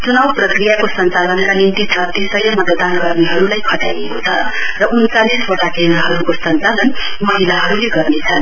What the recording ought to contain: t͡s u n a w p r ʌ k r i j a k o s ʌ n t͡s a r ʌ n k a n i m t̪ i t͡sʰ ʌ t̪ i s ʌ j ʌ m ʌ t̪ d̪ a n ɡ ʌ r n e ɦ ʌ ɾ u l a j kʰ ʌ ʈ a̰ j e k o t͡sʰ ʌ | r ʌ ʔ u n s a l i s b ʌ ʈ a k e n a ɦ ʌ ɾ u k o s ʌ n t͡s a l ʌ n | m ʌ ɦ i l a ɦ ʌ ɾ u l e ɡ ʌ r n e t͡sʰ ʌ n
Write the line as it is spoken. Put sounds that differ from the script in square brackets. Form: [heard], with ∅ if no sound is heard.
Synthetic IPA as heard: t͡s u n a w p r ʌ k r i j a k o s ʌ n t͡s a [l] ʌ n k a n i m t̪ i t͡sʰ ʌ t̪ i s ʌ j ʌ m ʌ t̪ d̪ a n ɡ ʌ r n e ɦ ʌ ɾ u l a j kʰ ʌ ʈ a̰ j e k o t͡sʰ ʌ | r ʌ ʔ u n [t͡s] a l i s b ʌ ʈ a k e n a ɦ ʌ ɾ u k o s ʌ n t͡s a l ʌ n | m ʌ ɦ i l a ɦ ʌ ɾ u l e ɡ ʌ r n e t͡sʰ ʌ n

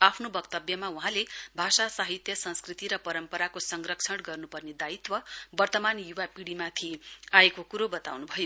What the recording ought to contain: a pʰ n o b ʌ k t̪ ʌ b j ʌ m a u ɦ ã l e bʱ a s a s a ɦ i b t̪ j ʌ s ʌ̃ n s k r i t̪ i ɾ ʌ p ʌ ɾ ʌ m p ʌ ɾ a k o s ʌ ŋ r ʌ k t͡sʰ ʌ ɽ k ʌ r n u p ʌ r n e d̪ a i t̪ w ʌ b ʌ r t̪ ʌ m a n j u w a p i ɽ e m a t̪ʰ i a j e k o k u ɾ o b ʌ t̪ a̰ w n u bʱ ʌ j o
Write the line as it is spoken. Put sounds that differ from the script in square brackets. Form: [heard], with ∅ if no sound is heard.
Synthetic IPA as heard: a pʰ n o b ʌ k t̪ ʌ b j ʌ m a u ɦ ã l e bʱ a s a s a ɦ i [∅] t̪ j ʌ s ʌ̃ n s k r i t̪ i ɾ ʌ p ʌ ɾ ʌ m p ʌ ɾ a k o s ʌ ŋ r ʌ k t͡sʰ ʌ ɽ [ɡ] ʌ r n u p ʌ r n e d̪ a i t̪ w ʌ b ʌ r t̪ ʌ m a n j u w a p i ɽ [i] m a t̪ʰ i a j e k o k u ɾ o b ʌ t̪ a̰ w n u bʱ ʌ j o

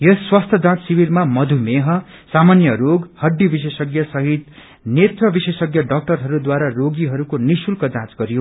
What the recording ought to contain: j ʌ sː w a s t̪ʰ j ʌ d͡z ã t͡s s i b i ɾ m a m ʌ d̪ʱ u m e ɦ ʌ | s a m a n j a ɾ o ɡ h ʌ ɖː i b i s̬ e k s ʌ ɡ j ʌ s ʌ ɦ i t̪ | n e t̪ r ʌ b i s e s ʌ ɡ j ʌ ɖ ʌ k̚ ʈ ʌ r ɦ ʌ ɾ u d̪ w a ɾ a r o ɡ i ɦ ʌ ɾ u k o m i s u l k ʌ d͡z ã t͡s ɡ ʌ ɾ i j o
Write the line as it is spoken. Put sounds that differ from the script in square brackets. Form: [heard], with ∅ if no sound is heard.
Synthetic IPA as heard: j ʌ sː w a s t̪ʰ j ʌ d͡z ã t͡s s i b i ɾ m a m ʌ d̪ʱ u m e ɦ ʌ | s a m a n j [ʌ] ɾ o ɡ h ʌ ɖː i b i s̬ e [∅] s ʌ ɡ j ʌ s ʌ ɦ i t̪ | n e t̪ r ʌ b i s e s ʌ ɡ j ʌ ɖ ʌ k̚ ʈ ʌ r ɦ ʌ ɾ u d̪ w a ɾ a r o ɡ i ɦ ʌ ɾ u k o [n] i s u l k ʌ d͡z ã t͡s ɡ ʌ ɾ i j o

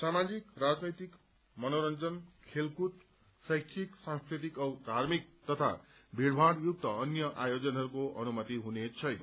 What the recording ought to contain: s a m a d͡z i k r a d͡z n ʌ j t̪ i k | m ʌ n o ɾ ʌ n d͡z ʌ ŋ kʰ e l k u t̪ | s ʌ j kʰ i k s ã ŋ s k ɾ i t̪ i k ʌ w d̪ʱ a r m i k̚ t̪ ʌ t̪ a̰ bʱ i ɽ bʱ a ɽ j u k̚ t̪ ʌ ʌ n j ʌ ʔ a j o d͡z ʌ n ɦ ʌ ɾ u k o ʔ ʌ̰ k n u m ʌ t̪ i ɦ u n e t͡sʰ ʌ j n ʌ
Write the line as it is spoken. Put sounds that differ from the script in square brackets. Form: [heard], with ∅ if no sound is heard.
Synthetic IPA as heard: s a m a d͡z i k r a d͡z n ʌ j t̪ i k | m ʌ n o ɾ ʌ n d͡z ʌ [n] kʰ e l k u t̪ | s ʌ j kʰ i k s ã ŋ s k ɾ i t̪ i k ʌ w d̪ʱ a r m i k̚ t̪ ʌ [t̪ʰ] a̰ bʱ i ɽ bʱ a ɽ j u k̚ t̪ ʌ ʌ n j ʌ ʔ a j o d͡z ʌ n ɦ ʌ ɾ u k o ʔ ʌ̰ [∅] n u m ʌ t̪ i ɦ u n e t͡sʰ ʌ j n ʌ

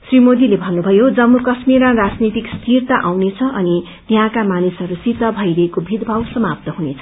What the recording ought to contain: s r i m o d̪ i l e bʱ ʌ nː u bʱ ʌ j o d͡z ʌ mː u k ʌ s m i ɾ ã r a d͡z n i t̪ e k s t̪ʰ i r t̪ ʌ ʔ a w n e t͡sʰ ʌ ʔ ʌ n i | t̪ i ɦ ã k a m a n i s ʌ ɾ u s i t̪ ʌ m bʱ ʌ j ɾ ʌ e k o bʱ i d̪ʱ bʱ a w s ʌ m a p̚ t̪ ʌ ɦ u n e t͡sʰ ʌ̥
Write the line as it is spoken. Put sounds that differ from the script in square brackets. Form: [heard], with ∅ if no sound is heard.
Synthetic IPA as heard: s r i m o d̪ i l e bʱ ʌ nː u bʱ ʌ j o d͡z ʌ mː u k ʌ s m i ɾ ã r a d͡z n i t̪ [i] k s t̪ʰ i r t̪ [a] ʔ a w n e t͡sʰ ʌ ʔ ʌ n i | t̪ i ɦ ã k a m a n i s ʌ ɾ u s i t̪ ʌ [∅] bʱ ʌ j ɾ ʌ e k o bʱ i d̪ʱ bʱ a w s ʌ m a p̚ t̪ ʌ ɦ u n e t͡sʰ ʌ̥

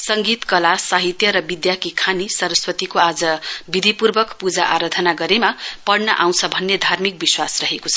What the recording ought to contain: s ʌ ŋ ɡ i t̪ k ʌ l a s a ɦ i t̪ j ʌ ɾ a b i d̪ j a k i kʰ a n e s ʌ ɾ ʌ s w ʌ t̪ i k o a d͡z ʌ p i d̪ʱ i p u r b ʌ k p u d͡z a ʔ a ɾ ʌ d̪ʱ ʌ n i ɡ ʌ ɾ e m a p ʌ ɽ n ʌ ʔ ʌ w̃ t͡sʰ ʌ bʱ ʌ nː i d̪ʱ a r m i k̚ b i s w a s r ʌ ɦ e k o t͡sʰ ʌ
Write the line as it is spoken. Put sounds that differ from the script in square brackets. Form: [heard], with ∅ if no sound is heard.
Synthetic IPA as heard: s ʌ ŋ ɡ i t̪ k ʌ l a s a ɦ i t̪ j ʌ ɾ [ʌ] b i d̪ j a k i kʰ a n [i] s ʌ ɾ ʌ s w ʌ t̪ i k o a d͡z ʌ [b] i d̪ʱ i p u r b ʌ k p u d͡z a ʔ a ɾ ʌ d̪ʱ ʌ n [a] ɡ ʌ ɾ e m a p ʌ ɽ n ʌ ʔ [a] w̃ t͡sʰ ʌ bʱ ʌ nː [e] d̪ʱ a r m i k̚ b i s w a s r ʌ ɦ e k o t͡sʰ ʌ

